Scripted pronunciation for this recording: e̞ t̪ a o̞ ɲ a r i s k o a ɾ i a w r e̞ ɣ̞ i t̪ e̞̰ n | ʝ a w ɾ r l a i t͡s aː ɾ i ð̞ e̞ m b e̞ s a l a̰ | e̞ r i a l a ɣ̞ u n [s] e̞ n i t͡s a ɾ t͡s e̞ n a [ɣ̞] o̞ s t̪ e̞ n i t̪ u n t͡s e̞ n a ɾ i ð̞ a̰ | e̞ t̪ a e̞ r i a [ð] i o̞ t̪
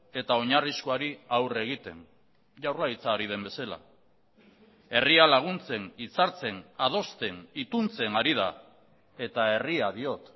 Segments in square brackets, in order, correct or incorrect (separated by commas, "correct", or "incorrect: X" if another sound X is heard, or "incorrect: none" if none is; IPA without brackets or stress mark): incorrect: t͡s, incorrect: ð̞, correct